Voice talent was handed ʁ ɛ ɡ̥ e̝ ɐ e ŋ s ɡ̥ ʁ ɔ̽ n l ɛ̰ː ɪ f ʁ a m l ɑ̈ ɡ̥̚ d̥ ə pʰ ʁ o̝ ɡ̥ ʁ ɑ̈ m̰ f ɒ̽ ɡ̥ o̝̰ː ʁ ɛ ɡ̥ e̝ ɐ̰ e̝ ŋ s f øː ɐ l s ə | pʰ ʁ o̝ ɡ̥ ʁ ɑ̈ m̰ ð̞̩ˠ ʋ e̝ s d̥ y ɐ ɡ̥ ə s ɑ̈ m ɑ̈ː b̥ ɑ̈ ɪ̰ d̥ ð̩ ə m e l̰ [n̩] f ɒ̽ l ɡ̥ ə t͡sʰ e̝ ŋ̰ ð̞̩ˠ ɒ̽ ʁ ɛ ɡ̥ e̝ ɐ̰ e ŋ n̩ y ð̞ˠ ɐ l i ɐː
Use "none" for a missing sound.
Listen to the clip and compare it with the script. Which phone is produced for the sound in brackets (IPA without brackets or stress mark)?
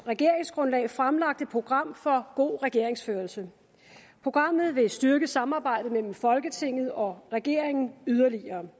m̩